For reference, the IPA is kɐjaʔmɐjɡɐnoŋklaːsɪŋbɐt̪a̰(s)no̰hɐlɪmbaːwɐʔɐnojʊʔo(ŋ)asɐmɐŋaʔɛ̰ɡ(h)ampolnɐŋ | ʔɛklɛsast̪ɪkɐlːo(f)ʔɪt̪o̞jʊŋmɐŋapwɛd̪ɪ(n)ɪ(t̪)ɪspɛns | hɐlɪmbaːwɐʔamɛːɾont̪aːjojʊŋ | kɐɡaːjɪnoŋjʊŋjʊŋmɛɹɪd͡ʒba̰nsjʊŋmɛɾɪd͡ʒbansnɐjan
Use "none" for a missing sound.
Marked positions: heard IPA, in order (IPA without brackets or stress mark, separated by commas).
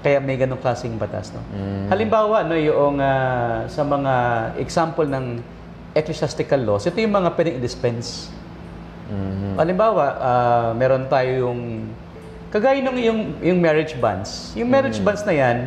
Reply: s, ŋ, s, s, ŋ, d̪